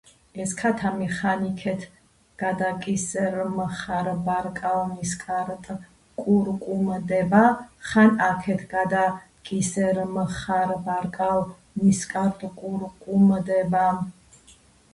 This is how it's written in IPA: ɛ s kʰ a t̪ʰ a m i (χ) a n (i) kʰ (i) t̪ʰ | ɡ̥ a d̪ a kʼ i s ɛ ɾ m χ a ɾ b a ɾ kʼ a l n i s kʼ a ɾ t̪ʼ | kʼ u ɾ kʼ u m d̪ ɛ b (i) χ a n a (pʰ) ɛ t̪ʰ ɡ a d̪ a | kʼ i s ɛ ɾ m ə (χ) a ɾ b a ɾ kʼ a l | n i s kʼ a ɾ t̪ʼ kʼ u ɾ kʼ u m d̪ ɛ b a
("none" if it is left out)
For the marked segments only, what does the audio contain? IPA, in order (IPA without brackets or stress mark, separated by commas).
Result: χ, i, ɛ, a, kʰ, χ